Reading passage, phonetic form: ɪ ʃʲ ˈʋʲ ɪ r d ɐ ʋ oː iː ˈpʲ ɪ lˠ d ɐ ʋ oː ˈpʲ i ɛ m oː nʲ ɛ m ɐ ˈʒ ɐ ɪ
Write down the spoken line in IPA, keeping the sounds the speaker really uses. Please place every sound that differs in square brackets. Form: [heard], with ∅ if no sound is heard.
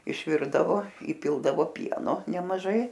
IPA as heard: ɪ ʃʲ ˈʋʲ ɪ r d ɐ ʋ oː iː ˈpʲ ɪ lˠ d ɐ ʋ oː ˈpʲ i ɛ [n] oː nʲ ɛ m ɐ ˈʒ ɐ ɪ